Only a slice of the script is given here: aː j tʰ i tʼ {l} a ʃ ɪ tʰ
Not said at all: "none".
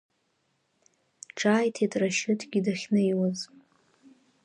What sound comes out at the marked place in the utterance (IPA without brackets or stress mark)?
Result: r